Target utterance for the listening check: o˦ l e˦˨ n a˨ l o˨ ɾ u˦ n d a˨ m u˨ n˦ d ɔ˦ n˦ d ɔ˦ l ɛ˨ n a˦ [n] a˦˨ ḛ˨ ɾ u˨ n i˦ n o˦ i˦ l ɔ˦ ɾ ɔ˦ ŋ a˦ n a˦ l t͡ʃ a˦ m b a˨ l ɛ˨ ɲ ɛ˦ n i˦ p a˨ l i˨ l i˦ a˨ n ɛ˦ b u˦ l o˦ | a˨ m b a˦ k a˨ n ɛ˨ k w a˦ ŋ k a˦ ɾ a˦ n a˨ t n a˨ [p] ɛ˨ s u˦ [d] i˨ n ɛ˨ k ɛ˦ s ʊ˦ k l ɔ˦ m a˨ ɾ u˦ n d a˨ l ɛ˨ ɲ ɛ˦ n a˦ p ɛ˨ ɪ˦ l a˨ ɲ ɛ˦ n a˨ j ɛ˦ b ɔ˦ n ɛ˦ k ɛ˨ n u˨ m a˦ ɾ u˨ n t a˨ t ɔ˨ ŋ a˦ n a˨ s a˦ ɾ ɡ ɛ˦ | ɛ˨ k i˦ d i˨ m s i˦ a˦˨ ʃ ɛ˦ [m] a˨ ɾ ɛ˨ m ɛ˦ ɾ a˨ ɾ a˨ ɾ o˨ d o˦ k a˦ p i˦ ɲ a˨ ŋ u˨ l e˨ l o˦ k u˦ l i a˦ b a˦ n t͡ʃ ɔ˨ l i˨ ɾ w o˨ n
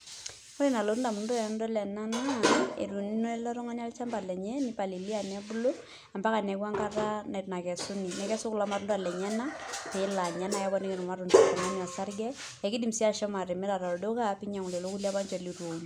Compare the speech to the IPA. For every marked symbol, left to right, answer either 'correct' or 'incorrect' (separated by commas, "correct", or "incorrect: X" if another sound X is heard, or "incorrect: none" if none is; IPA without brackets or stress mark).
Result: correct, incorrect: k, incorrect: n, correct